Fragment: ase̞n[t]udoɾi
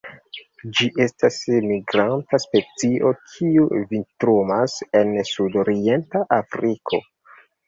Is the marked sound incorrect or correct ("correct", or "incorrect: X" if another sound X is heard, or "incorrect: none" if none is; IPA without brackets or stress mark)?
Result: incorrect: s